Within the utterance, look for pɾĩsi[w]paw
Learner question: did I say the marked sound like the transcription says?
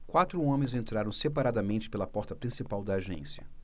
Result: no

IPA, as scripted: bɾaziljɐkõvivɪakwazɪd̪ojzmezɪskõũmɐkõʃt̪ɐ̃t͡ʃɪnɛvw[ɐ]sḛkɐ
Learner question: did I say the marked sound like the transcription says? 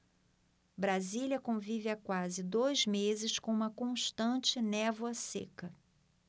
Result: yes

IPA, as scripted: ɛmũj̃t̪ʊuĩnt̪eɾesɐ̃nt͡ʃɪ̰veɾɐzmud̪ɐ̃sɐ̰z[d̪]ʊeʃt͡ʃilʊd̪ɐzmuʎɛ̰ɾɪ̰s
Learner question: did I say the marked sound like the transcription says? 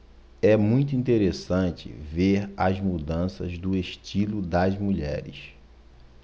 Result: yes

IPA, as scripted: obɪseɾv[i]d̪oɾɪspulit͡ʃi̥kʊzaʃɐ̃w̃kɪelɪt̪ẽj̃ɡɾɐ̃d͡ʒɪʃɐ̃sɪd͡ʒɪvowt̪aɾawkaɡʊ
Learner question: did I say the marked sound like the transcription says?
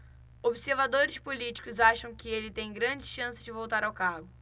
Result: no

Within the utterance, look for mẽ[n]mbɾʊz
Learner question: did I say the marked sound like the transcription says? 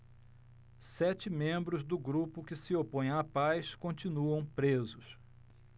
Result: no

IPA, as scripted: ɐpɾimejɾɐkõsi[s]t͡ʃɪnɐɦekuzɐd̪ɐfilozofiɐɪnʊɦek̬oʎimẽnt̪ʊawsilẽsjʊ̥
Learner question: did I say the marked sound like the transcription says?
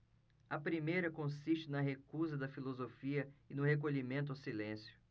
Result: no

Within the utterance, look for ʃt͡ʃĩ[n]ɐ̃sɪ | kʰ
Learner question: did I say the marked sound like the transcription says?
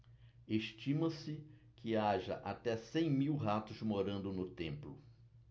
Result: no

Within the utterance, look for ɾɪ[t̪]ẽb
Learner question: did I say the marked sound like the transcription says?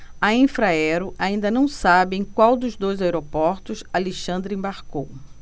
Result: no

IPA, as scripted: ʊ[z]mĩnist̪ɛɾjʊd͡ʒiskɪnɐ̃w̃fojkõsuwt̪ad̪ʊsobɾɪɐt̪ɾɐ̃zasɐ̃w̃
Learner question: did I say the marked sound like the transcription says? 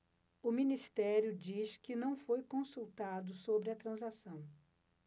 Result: no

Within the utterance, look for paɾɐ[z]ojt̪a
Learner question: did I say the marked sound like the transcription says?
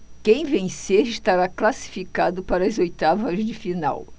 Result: yes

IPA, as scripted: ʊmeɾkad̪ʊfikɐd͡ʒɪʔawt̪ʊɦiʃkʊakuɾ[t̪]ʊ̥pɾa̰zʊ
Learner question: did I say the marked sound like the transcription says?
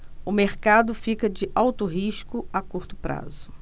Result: yes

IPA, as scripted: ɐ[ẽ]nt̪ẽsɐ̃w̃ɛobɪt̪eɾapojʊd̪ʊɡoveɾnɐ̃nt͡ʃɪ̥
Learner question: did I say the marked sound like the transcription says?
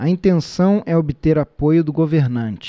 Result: no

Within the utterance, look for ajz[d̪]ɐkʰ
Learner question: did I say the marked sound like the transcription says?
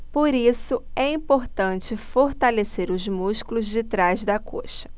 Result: yes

